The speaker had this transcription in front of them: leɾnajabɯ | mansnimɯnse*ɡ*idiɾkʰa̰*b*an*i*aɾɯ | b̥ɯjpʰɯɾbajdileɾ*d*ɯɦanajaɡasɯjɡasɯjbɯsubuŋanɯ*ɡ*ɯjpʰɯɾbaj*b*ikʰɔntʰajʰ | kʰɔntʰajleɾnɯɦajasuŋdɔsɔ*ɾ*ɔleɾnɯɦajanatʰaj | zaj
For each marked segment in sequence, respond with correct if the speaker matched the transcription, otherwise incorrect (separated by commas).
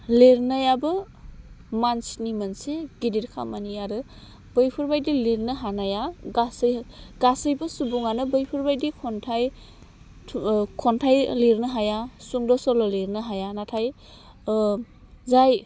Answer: correct, incorrect, correct, incorrect, incorrect, incorrect, incorrect